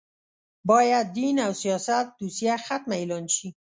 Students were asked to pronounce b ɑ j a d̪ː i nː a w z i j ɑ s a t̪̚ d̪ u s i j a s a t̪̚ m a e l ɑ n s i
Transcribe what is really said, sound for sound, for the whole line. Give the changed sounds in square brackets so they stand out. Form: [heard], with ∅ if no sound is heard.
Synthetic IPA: b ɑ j a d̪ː i [n] a w [s] i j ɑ s a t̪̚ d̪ u s i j a [x] a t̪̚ m a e l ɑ n [ʃ] i

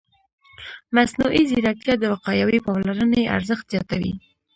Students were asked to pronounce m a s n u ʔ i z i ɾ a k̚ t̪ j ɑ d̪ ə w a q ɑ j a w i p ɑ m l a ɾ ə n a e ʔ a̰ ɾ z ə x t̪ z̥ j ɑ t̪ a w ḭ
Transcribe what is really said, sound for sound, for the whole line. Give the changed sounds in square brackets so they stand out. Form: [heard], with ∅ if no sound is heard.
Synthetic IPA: m a s n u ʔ i z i ɾ a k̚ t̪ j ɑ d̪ ə w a q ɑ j a w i p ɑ m l a ɾ ə n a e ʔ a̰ ɾ z ə x t̪ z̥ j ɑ t̪ a w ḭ

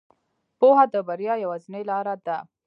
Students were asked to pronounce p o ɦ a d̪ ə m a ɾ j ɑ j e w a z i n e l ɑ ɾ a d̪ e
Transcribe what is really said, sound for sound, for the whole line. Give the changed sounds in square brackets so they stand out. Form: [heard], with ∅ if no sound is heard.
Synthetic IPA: p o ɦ a d̪ ə [b] a ɾ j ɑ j [a] w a z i n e l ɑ ɾ a d̪ [a]

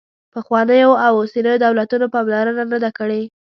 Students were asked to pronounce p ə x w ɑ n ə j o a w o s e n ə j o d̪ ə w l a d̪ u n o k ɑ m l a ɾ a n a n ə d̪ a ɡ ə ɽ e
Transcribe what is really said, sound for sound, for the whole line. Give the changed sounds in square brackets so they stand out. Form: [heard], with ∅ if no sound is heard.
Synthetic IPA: p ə x w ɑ n ə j o a w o s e n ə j o d̪ [a] w l a [t̪] u n o [p] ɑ m l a ɾ a n a n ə d̪ a [k] ə ɽ e

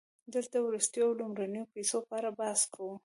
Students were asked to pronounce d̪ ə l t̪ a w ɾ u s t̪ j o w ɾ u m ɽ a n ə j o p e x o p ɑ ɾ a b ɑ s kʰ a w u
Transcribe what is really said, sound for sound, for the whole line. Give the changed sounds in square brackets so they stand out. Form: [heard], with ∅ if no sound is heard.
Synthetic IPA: d̪ ə l t̪ a w ɾ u s t̪ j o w [l] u m [ɾ] a n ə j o p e [s] o p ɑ ɾ a b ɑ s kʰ a w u

